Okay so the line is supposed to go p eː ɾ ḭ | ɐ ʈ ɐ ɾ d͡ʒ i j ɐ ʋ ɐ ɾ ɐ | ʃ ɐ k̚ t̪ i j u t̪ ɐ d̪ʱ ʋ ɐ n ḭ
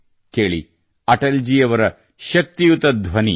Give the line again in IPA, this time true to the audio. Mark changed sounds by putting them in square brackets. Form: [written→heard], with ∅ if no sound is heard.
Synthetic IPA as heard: [p→k] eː [ɾ→ɭ] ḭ | ɐ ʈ ɐ [ɾ→l] d͡ʒ i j ɐ ʋ ɐ ɾ ɐ | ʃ ɐ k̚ t̪ i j u t̪ ɐ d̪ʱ ʋ ɐ n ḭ